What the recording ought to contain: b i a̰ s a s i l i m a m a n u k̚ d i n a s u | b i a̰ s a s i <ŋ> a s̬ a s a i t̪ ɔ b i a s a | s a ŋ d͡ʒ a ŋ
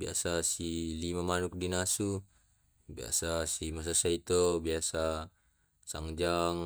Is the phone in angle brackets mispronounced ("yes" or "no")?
yes